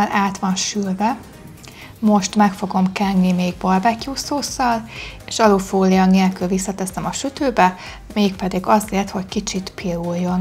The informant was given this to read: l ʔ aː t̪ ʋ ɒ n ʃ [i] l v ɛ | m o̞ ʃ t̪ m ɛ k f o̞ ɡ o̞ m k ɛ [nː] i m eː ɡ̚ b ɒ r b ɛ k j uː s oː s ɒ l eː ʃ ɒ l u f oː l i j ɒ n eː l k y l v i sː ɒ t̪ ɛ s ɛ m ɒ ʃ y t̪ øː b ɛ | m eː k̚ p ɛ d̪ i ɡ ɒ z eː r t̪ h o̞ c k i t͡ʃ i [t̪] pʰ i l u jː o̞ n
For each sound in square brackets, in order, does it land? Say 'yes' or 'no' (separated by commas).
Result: no, yes, yes